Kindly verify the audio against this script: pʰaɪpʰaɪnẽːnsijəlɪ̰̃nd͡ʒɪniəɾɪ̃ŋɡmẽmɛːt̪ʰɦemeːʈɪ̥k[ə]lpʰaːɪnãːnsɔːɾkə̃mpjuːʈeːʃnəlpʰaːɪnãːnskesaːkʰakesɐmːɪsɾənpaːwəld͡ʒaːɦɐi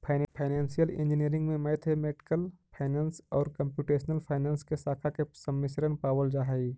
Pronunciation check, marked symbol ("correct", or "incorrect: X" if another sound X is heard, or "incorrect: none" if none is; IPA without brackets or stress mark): correct